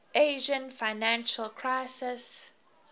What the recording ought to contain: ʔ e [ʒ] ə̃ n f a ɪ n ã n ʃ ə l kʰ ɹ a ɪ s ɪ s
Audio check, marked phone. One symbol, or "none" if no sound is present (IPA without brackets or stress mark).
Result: ʒ